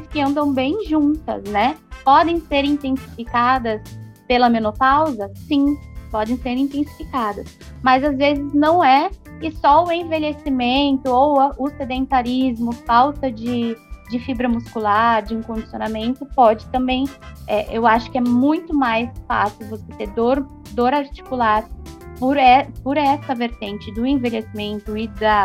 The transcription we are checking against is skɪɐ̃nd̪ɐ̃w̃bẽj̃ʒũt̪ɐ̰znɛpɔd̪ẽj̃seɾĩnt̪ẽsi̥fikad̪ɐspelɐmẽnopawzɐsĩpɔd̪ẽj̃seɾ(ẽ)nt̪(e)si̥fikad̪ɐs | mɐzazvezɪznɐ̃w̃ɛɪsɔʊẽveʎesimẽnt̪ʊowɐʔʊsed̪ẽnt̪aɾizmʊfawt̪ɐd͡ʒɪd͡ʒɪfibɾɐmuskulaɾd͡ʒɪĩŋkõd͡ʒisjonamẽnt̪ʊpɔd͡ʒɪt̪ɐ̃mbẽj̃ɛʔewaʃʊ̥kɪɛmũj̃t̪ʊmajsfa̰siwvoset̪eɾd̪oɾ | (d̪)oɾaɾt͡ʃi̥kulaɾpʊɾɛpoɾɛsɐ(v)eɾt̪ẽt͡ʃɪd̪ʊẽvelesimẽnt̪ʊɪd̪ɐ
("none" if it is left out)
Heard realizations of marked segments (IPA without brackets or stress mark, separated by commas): ĩ, ẽ, d̪, v